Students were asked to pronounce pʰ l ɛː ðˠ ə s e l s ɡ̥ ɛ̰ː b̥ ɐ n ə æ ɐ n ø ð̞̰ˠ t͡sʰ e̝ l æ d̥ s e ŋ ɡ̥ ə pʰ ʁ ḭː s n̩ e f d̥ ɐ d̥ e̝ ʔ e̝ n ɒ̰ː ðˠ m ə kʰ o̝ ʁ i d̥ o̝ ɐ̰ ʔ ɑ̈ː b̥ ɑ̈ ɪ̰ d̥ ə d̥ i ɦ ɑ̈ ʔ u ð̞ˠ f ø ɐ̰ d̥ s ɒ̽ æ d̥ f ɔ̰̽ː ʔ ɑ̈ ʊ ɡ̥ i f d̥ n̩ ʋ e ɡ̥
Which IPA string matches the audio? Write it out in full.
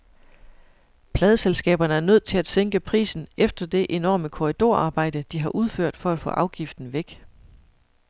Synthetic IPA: pʰ l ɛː ðˠ ə s e l s ɡ̥ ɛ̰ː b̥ ɐ n ə æ ɐ n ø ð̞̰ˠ t͡sʰ e̝ l æ d̥ s e ŋ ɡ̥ ə pʰ ʁ ḭː s n̩ e f d̥ ɐ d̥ e̝ ʔ e̝ n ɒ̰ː m ə kʰ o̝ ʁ i d̥ o̝ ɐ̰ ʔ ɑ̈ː b̥ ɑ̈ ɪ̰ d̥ ə d̥ i ɦ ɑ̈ ʔ u ð̞ˠ f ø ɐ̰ d̥ f ɒ̽ æ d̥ f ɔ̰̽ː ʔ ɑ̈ ʊ ɡ̥ i f d̥ n̩ ʋ e ɡ̥